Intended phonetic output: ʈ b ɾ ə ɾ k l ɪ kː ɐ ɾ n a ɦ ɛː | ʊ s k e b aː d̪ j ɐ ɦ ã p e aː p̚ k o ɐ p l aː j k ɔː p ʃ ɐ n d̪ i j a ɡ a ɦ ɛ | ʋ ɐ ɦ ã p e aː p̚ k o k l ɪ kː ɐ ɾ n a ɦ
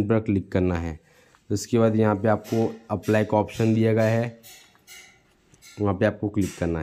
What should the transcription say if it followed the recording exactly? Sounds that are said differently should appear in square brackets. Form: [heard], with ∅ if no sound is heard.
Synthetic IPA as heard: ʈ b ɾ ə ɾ k l ɪ kː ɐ ɾ n a ɦ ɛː | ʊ s k e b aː d̪ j ɐ ɦ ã p e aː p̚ k o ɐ p l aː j k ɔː p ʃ [ə] n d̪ i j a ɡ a ɦ ɛ | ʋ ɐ ɦ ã p e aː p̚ k o k l ɪ kː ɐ ɾ n a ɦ